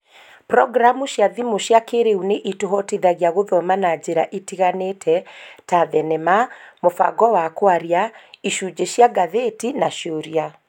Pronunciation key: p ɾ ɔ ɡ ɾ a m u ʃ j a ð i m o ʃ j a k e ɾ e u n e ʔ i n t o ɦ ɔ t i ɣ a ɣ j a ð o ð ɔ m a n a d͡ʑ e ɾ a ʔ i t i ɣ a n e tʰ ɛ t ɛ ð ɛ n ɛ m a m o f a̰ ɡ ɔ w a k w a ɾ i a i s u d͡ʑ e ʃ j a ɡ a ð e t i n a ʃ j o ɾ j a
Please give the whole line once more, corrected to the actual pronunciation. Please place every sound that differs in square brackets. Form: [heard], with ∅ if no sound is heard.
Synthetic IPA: p ɾ ɔ ɡ ɾ a m u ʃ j a ð i m o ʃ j a k e ɾ e u n e ʔ i [∅] t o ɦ ɔ t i [ð] a ɣ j a [ɣ] o ð ɔ m a n a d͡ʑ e ɾ a ʔ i t i ɣ a n e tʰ ɛ t [a] ð ɛ n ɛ m a m o f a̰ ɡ ɔ w a k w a ɾ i a i [ʃ] u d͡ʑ e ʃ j a ɡ a ð e t i n a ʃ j o ɾ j a